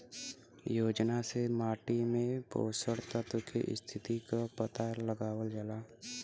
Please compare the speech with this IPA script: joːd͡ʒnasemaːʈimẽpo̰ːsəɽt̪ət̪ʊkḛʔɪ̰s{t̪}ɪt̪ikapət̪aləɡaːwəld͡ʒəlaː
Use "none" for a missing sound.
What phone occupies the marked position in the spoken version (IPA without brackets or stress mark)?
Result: t̪ʰ